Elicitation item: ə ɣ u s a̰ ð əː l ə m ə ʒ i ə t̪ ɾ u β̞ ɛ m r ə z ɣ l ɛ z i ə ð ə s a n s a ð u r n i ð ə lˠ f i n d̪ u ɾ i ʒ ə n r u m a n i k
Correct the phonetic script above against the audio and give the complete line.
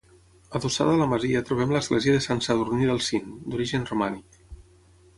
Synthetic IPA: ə ð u s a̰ ð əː l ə m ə z i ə t̪ ɾ u β̞ ɛ m l ə z ɣ l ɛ z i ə ð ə s a n s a ð u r n i ð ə lˠ s i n d̪ u ɾ i ʒ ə n r u m a n i k

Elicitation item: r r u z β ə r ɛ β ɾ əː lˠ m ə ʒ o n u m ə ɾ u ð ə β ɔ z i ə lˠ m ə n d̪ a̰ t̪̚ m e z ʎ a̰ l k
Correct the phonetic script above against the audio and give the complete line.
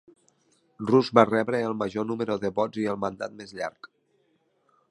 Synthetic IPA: r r u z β a r ɛ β ɾ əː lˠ m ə ʒ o n u m ə ɾ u ð ə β ɔ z i ə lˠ m ə n d̪ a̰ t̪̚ m e z ʎ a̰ ɾ k

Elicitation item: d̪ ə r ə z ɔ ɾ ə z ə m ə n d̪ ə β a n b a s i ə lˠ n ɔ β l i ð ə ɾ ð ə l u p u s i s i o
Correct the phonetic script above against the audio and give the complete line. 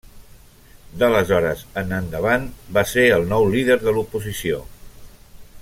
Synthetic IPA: d̪ ə l ə z ɔ ɾ ə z ə n ə n d̪ ə β a n b a s e ə lˠ n ɔ w l i ð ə ɾ ð ə l u p u z i s i o

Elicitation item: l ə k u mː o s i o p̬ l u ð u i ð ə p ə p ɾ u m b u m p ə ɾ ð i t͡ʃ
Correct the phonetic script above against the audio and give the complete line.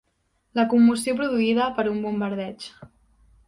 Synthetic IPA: l ə k u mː u s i o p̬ ɾ u ð u i ð ə p ə ɾ u m b u m b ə ɾ ð ɛ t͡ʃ

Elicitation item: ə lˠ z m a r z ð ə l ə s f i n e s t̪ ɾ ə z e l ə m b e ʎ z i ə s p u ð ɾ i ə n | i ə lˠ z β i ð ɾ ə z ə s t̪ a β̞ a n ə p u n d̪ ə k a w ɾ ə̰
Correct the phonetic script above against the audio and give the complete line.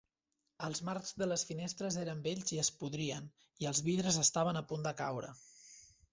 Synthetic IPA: ə lˠ z m a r z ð ə l ə s f i n e s t̪ ɾ ə z e ɾ ə m b e ʎ z i ə s p u ð ɾ i ə n | i ə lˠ z β i ð ɾ ə z ə s t̪ a β̞ ə n ə p u n d̪ ə k a w ɾ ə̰

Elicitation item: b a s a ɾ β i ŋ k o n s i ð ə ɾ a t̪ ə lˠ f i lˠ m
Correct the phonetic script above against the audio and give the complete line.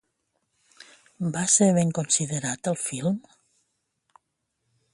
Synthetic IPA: b a s e ɾ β e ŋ k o n s i ð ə ɾ a t̪ ə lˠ f i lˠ m

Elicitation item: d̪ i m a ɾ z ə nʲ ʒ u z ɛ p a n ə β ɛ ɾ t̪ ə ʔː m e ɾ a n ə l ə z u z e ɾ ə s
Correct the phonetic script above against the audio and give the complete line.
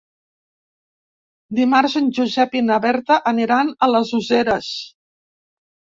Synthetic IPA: d̪ i m a ɾ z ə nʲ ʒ u z ɛ p i n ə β ɛ ɾ t̪ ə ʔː n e ɾ a n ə l ə z u z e ɾ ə s

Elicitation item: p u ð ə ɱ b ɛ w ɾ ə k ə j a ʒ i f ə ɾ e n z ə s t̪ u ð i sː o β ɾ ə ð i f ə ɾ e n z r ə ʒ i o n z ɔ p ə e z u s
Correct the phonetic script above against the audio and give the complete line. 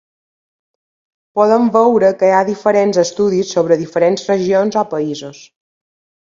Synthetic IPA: p ɔ ð ə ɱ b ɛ w ɾ ə k ə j a ð i f ə ɾ e n z ə s t̪ u ð i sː o β ɾ ə ð i f ə ɾ e n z r ə ʒ i o n z ɔ p ə i z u s

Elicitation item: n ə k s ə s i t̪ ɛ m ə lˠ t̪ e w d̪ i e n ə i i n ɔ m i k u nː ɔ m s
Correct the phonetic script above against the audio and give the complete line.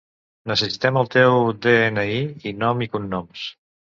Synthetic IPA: n ə s ə s i t̪ ɛ m ə lˠ t̪ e w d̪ e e n ə i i n ɔ m i k u nː ɔ m s

